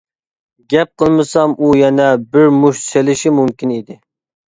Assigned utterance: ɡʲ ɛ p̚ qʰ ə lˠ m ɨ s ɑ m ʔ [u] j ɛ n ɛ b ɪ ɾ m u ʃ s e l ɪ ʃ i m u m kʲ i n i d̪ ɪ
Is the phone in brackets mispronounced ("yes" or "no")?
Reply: no